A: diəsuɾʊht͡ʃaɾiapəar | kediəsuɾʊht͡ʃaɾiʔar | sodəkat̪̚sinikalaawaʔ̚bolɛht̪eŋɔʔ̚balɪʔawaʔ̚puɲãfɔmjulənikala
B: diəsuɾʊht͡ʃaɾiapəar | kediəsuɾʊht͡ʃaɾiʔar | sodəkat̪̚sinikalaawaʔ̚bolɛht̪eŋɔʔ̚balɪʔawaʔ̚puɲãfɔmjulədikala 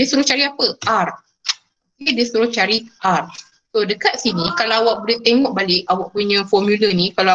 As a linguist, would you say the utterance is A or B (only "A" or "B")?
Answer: A